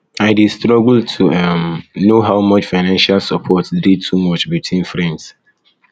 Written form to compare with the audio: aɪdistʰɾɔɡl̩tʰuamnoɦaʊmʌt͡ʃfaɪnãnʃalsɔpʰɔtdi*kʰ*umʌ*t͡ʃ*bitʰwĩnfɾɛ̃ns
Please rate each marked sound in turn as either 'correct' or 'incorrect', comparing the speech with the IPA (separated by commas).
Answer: incorrect, correct